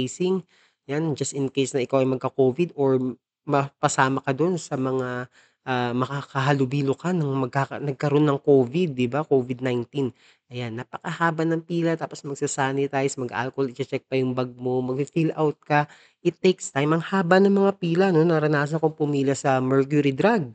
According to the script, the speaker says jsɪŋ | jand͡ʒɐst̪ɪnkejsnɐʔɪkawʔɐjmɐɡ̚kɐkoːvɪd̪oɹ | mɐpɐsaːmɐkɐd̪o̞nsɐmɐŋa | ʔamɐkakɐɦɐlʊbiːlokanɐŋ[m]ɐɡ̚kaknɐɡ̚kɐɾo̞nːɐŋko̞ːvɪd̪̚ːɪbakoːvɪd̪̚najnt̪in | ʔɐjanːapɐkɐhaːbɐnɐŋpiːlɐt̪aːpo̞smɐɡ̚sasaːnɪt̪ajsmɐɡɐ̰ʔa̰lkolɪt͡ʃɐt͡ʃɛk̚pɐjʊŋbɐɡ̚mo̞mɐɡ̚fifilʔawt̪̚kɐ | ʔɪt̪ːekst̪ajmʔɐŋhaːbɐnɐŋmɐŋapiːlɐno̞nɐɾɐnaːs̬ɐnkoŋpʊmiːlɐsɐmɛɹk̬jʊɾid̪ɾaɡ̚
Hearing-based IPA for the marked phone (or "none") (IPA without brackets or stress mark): m